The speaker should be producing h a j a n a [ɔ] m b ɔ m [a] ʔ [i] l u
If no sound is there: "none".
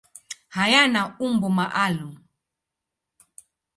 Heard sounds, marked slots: u, a, a

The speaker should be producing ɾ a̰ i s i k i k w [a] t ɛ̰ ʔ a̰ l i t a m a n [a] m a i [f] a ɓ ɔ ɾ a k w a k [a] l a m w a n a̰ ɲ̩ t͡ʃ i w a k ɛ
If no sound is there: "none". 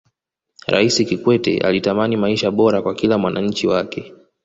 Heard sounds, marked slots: ɛ, i, ʃ, i

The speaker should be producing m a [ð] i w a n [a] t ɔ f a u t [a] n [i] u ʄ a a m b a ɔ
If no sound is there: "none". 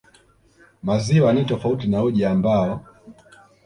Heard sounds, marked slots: z, i, i, a

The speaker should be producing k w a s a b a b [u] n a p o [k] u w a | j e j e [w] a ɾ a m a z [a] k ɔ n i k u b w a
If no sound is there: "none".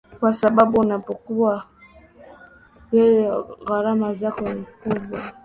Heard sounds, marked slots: u, k, ɣ, a

